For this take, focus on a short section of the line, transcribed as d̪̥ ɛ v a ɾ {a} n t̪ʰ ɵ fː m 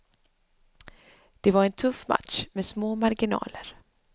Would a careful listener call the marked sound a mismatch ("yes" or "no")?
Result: yes